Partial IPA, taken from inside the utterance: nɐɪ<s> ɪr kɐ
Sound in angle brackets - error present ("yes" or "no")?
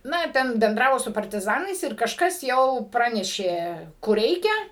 no